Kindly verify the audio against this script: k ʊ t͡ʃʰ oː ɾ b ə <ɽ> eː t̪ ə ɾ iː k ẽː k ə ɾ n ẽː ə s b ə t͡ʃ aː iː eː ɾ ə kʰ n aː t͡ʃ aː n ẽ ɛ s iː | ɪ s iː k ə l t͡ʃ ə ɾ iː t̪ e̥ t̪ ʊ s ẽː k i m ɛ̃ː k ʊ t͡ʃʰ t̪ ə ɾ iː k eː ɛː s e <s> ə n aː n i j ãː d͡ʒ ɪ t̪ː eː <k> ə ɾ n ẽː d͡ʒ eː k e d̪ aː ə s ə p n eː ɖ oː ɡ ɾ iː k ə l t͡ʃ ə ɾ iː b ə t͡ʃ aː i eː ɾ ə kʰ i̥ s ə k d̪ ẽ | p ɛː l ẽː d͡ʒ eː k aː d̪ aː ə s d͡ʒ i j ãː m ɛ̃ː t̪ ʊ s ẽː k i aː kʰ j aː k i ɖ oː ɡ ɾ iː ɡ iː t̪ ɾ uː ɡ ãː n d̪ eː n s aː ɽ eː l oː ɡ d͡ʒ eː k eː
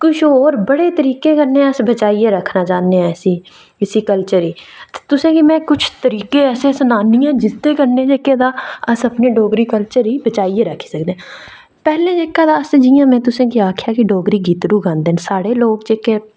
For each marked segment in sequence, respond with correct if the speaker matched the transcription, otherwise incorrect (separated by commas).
correct, correct, correct